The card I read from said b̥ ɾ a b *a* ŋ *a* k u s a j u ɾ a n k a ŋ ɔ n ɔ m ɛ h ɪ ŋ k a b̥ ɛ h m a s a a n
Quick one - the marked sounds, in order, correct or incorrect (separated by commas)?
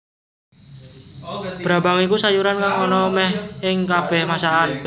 correct, incorrect